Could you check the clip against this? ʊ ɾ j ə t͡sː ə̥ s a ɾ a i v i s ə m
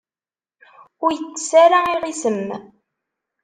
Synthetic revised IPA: ʊ ɾ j ə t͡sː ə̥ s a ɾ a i ʁ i s ə m